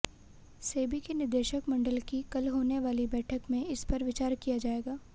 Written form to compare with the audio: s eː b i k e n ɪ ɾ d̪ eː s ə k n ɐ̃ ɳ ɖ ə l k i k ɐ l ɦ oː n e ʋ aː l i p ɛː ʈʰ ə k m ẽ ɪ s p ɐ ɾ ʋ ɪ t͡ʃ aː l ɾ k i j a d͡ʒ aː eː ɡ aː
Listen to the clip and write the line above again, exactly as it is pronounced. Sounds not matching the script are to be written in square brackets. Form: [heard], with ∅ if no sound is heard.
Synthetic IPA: s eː b i k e n ɪ ɾ d̪ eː [ʃ] ə k [m] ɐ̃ ɳ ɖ ə l k i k ɐ l ɦ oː n e ʋ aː l i [b] ɛː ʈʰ ə k m ẽ ɪ s p ɐ ɾ ʋ ɪ t͡ʃ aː [∅] ɾ k i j a d͡ʒ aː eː ɡ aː